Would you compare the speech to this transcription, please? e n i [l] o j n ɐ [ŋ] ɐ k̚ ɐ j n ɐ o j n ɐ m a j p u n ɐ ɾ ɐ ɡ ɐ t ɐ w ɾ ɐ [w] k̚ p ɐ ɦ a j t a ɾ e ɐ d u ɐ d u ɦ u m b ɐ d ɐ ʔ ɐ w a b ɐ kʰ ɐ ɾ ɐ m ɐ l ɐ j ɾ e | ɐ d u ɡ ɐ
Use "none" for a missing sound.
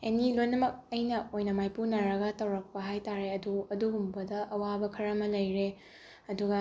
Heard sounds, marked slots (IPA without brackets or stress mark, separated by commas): l, m, none